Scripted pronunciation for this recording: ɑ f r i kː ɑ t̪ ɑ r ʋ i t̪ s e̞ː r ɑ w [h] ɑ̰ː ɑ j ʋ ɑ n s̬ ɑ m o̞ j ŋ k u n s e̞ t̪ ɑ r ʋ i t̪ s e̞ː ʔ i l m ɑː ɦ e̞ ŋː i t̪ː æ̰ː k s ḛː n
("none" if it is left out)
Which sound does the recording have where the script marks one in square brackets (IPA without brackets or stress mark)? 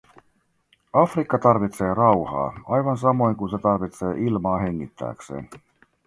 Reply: h